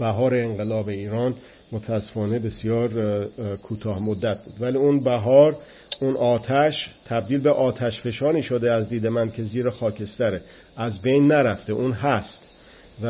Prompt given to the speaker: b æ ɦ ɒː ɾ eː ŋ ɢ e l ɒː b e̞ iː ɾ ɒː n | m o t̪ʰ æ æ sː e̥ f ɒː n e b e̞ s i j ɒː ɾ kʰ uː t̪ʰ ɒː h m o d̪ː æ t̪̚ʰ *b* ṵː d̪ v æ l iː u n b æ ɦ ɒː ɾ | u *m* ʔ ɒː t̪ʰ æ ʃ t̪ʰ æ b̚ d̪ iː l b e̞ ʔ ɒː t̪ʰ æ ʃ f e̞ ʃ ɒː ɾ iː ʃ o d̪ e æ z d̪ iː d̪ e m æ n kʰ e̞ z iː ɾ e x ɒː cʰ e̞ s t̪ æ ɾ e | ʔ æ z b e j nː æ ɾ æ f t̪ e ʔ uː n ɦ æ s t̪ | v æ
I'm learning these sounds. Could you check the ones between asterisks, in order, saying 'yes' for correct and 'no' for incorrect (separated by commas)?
yes, no